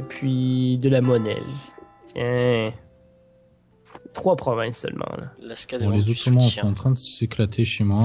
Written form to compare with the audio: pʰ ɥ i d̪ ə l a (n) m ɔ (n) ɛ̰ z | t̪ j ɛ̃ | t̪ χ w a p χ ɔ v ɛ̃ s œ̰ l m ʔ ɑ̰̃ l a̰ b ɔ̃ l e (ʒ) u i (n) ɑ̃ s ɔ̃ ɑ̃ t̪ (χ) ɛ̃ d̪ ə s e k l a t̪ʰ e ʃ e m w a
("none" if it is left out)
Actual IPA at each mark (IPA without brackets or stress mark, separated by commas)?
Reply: none, n, z, m, χ